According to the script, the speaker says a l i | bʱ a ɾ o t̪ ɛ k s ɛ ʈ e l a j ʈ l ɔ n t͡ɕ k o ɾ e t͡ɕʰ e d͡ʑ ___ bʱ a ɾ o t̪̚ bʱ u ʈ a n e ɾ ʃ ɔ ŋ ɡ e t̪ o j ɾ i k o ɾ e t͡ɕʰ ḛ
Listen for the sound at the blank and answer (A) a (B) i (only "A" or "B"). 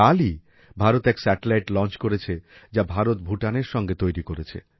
A